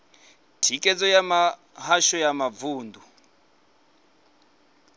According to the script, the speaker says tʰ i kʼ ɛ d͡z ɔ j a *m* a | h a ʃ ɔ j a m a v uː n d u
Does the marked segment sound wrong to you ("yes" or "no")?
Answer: no